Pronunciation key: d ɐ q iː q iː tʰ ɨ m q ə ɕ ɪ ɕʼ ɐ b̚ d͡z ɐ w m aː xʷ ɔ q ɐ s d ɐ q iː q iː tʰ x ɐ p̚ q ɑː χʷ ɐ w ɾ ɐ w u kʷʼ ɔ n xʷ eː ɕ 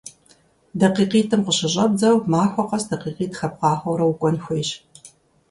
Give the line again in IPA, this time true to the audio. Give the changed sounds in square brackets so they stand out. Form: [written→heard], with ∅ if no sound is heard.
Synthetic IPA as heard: d ɐ q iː q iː tʰ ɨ m q ə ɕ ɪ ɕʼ ɐ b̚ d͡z ɐ w m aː xʷ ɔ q ɐ s d ɐ q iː q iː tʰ x ɐ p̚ q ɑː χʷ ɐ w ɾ ɐ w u kʷʼ ɔ n xʷ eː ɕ